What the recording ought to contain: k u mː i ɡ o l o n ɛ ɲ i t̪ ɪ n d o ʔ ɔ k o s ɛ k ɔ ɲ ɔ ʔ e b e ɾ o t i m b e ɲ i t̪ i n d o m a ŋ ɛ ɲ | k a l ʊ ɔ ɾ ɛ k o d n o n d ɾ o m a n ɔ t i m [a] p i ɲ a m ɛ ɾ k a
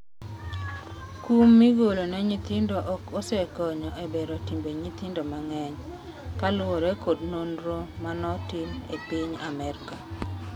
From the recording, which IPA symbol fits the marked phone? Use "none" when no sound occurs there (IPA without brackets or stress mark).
e